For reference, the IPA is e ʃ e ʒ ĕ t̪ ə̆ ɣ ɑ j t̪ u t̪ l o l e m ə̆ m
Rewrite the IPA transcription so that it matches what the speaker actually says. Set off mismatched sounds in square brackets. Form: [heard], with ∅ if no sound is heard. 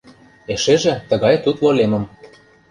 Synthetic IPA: e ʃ e ʒ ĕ t̪ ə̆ ɣ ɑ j t̪ u t̪ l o l e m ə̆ m